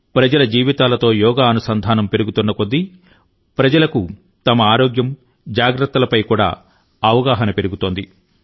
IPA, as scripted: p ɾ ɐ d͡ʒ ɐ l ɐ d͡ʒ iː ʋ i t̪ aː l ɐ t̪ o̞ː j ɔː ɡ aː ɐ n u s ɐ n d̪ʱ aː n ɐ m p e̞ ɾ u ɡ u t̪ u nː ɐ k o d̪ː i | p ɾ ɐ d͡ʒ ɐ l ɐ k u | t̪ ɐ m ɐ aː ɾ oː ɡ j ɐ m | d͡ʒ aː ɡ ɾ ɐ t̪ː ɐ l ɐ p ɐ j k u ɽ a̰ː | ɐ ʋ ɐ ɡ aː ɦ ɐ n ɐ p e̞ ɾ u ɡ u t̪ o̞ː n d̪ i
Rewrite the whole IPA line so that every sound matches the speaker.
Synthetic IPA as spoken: p ɾ ɐ d͡ʒ ɐ l ɐ d͡ʒ iː ʋ i t̪ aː l ɐ t̪ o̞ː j ɔː ɡ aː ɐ n u s ɐ n d̪ʱ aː n ɐ m p e̞ ɾ u ɡ u t̪ u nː ɐ k o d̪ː i | p ɾ ɐ d͡ʒ ɐ l ɐ k u | t̪ ɐ m ɐ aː ɾ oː ɡ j ɐ m | d͡ʒ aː ɡ ɾ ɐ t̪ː ɐ l ɐ p ɐ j k uː ɽ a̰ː | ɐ ʋ ɐ ɡ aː ɦ ɐ n ɐ p e̞ ɾ u ɡ u t̪ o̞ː n d̪ i